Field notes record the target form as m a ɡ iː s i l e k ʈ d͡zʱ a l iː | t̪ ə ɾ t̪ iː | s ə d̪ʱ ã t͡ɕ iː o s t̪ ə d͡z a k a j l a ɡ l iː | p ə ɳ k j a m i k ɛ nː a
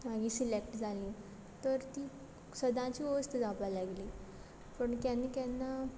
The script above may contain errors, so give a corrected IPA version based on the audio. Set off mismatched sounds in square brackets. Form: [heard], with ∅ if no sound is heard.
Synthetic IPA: m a ɡ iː s i l e k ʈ d͡zʱ a l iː | t̪ ə ɾ t̪ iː | s ə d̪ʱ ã t͡ɕ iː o s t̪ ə d͡z a [p] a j l a ɡ l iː | p ə ɳ k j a [n] i k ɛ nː a